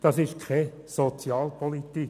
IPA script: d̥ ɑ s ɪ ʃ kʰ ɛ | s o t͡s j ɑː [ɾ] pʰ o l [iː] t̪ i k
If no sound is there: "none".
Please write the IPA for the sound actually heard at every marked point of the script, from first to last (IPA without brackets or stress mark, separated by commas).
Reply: l, i